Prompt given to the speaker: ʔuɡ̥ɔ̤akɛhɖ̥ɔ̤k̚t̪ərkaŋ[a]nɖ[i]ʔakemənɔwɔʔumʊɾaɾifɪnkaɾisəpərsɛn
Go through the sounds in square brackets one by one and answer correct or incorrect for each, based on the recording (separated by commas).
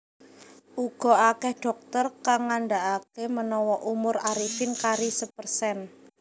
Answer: correct, incorrect